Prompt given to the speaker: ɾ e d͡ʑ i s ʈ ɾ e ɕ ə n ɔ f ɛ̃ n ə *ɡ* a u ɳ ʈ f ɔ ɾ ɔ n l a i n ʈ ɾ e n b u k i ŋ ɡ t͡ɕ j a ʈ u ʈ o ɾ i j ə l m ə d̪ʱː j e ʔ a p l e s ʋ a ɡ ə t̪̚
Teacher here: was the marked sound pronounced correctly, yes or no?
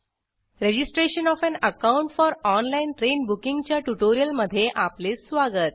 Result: no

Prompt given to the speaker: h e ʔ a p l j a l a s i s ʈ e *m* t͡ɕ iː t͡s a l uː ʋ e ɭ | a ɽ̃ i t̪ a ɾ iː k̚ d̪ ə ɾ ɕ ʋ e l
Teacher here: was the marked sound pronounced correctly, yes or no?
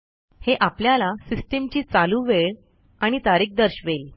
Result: yes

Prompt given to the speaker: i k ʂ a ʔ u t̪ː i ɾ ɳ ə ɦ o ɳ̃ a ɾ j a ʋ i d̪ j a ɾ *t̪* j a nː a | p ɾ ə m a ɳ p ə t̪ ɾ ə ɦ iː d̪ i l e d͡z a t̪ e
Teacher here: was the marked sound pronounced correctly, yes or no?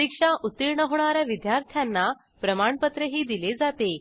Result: no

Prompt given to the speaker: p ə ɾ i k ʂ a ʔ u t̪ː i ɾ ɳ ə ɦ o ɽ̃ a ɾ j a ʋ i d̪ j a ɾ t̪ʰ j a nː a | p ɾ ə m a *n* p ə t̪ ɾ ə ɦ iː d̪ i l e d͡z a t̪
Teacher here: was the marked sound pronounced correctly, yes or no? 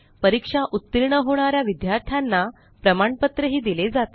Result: no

